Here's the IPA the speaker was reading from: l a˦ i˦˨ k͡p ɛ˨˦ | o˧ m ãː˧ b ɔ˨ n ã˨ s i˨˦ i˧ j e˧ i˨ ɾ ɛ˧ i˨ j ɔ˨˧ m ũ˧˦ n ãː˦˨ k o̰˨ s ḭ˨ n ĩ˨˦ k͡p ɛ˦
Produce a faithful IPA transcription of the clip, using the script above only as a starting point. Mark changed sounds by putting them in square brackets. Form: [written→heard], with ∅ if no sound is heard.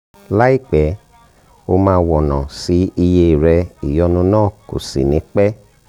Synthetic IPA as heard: l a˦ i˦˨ k͡p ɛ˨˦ | o˧ m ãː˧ [b→w] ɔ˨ n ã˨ s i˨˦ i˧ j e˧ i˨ ɾ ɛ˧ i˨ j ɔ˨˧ [m→n] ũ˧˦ n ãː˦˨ k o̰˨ s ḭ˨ n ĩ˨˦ k͡p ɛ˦